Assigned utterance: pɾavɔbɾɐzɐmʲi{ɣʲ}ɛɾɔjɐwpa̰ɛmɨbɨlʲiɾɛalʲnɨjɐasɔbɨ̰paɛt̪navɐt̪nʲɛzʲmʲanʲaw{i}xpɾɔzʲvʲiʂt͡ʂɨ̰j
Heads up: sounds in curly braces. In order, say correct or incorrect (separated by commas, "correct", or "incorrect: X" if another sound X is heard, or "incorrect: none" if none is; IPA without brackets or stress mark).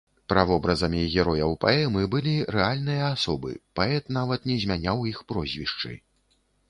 correct, correct